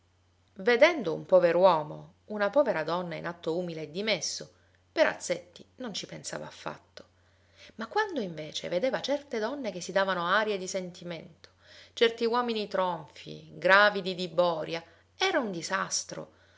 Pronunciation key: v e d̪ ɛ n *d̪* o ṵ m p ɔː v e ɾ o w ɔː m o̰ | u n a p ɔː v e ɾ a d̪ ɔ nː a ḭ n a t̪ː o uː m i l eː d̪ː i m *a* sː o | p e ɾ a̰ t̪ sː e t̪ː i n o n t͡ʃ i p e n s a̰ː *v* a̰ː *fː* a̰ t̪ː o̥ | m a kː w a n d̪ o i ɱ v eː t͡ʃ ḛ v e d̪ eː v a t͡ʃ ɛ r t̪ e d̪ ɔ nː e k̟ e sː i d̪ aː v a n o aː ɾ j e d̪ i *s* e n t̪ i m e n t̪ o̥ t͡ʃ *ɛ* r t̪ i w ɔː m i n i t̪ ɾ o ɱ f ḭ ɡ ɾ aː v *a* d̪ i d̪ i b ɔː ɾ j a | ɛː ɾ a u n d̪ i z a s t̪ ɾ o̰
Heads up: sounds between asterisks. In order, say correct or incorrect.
correct, incorrect, correct, correct, correct, correct, incorrect

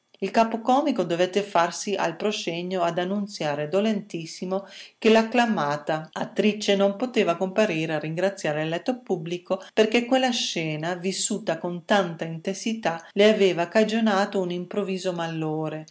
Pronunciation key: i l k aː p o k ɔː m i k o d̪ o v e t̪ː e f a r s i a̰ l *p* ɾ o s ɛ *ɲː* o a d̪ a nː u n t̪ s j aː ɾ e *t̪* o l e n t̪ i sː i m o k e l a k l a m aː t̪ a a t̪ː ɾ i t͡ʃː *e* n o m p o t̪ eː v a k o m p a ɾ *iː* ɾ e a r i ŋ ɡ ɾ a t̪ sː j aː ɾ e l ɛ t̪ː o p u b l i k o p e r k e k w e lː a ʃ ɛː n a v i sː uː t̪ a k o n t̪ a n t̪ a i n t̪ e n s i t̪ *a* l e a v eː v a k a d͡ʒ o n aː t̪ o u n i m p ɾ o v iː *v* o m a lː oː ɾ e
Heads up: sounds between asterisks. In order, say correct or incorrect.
correct, correct, incorrect, correct, correct, correct, incorrect

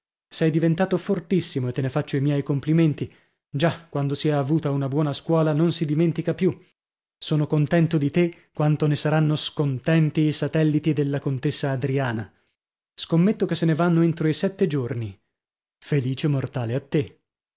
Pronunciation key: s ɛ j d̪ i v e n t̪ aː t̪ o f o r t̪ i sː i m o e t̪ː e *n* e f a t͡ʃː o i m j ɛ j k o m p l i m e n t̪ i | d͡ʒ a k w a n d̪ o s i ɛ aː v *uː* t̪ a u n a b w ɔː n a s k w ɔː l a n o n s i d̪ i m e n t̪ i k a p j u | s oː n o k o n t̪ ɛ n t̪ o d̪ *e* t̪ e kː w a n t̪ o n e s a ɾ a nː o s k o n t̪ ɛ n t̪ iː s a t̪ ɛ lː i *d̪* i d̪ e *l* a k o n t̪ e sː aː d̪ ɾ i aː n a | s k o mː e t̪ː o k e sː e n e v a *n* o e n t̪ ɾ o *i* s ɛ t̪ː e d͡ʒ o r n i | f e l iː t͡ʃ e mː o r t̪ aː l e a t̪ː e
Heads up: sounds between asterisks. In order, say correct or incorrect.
correct, correct, incorrect, incorrect, incorrect, incorrect, correct

